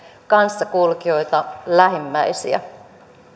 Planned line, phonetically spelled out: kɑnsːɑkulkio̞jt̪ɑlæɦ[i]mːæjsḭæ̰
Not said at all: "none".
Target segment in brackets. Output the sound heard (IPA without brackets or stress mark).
i